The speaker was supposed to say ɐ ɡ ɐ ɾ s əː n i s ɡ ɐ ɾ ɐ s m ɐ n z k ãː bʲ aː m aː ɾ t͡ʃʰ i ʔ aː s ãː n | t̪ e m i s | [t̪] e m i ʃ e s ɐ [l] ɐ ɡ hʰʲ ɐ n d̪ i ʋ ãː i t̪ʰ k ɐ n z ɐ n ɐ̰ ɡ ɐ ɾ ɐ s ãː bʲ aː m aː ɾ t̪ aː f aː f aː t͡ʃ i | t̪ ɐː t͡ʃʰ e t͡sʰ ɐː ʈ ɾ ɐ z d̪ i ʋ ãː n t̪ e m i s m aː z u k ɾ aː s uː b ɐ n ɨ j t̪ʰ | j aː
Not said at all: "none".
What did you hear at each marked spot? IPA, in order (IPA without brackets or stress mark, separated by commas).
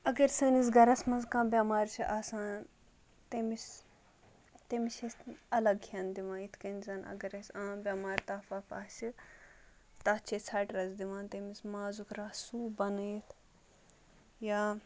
t̪, l